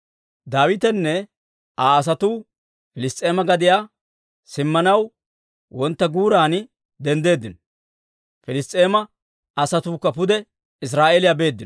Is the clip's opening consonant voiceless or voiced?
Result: voiced